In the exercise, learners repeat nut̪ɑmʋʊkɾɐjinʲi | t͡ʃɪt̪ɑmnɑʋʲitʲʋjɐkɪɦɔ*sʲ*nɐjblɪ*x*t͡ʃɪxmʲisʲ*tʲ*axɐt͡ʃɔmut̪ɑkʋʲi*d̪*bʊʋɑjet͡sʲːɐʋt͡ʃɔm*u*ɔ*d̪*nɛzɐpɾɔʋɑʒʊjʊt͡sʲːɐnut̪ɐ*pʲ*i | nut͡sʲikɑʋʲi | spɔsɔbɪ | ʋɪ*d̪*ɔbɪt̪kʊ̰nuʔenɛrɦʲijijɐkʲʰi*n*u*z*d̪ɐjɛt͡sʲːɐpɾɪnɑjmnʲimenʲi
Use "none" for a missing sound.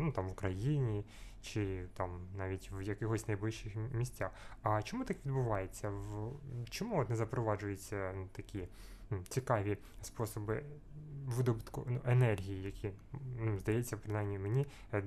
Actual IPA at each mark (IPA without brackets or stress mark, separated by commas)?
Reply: sʲ, ʃ, tʲ, d̪, u, t̪, kʲ, d̪, n, z